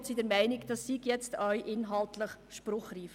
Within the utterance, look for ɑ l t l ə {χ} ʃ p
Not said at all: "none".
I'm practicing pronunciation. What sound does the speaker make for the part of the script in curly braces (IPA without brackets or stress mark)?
χ